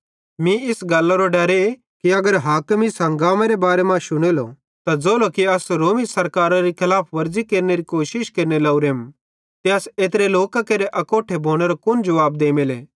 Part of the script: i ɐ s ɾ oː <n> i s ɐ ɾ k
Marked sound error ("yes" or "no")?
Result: yes